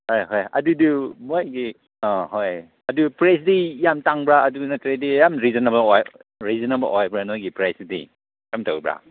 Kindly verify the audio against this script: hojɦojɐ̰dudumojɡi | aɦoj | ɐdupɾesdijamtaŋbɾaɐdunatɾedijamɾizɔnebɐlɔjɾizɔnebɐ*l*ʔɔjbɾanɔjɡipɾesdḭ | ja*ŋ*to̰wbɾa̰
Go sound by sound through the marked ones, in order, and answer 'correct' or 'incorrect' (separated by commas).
correct, incorrect